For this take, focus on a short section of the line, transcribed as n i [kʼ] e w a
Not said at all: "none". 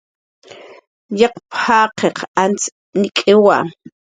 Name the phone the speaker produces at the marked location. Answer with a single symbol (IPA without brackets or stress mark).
kʼ